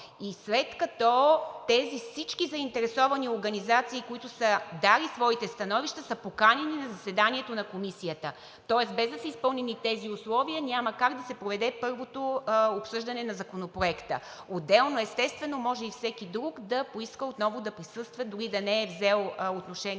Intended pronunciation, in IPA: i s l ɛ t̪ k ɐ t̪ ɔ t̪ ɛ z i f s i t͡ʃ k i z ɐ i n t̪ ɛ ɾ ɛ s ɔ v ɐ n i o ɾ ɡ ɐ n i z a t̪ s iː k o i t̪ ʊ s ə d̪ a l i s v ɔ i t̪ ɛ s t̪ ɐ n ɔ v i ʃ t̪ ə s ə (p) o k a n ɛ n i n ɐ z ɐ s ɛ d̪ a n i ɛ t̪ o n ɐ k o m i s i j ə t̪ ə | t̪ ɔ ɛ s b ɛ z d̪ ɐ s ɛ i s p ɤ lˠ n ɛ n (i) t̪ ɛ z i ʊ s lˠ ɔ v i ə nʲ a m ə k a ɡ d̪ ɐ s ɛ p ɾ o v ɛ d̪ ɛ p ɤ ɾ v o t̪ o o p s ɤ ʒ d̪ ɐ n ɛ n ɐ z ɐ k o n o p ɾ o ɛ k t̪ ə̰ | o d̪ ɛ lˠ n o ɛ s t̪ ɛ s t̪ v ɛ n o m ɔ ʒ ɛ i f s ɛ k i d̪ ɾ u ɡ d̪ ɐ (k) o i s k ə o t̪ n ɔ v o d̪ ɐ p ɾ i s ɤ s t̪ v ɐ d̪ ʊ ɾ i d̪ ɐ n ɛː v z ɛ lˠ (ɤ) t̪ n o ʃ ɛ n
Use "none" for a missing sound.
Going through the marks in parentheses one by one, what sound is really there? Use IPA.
p, i, p, o

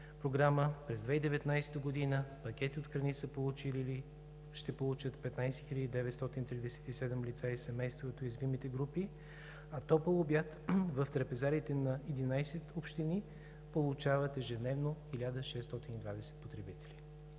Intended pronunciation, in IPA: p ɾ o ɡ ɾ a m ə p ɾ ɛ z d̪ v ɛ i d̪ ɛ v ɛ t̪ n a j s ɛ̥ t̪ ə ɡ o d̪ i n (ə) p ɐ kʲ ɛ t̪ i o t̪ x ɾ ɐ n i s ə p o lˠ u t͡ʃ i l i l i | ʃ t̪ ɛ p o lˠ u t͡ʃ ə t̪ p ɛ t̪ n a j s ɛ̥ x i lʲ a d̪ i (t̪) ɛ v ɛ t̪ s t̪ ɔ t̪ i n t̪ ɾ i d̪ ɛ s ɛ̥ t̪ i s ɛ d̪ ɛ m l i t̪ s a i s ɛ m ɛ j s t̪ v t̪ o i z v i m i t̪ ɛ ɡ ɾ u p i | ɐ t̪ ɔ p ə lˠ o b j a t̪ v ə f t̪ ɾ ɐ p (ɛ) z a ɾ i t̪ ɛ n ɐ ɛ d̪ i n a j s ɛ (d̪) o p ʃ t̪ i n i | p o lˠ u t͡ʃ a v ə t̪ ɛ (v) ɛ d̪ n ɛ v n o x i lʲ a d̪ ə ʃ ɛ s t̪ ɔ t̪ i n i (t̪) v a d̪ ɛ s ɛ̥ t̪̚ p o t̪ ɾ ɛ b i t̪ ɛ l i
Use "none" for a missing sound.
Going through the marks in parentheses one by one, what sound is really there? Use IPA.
ə, d̪, ɛ, t̪, ʒ, d̪

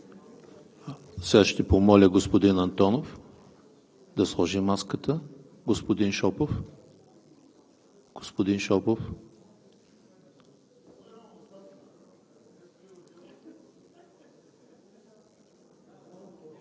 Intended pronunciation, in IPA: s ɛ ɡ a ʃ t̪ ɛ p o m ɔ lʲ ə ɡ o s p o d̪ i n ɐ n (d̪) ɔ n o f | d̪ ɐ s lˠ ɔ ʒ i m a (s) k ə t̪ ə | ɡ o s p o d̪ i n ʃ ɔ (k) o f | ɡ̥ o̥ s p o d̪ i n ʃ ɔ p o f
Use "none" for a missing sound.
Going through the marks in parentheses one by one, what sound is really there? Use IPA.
t̪, s, p

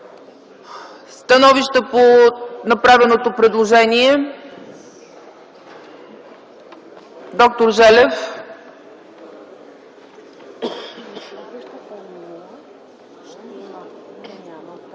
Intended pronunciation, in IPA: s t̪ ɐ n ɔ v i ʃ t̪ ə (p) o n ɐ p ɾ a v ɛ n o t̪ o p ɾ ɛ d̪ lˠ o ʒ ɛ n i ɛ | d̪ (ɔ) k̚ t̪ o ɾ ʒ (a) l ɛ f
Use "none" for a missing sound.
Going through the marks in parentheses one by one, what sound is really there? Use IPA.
p, ɔ, ɛ

